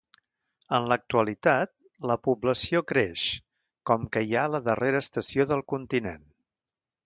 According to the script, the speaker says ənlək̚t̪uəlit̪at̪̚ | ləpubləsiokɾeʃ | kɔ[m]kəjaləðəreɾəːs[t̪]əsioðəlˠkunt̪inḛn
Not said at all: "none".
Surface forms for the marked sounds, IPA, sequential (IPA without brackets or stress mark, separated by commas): m, t̪